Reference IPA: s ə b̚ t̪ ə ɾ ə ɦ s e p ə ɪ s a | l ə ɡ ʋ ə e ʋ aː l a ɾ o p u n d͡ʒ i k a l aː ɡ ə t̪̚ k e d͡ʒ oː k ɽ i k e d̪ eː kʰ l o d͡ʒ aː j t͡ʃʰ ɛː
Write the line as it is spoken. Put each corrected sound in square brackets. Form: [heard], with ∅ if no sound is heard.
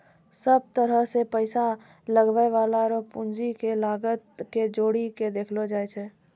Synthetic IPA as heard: s ə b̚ t̪ ə ɾ ə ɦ s e p ə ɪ s a | l ə ɡ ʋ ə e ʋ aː l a ɾ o p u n d͡ʒ i k [e] l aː ɡ ə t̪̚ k e d͡ʒ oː [∅] ɽ i k e d̪ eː kʰ l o d͡ʒ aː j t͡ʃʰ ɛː